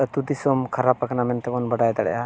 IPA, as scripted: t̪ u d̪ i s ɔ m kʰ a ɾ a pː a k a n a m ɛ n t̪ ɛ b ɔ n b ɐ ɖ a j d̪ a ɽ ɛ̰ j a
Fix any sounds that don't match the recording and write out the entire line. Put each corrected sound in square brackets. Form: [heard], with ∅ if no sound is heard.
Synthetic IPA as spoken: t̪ u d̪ i s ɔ m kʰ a ɾ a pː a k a n a m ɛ n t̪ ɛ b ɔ n b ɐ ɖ a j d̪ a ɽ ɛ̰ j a